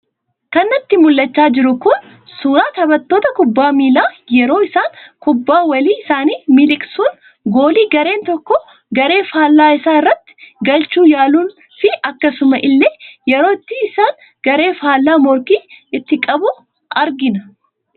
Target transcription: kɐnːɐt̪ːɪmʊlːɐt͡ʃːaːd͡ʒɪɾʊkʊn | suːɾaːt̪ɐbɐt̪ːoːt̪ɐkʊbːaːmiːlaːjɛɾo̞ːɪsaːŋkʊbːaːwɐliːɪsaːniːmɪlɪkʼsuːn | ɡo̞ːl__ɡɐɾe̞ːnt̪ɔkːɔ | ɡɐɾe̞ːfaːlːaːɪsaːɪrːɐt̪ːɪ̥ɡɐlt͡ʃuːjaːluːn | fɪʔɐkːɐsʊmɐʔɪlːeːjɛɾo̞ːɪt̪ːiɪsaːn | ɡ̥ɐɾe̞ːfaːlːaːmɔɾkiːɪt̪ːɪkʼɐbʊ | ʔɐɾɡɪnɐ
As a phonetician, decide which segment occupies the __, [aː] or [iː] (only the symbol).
iː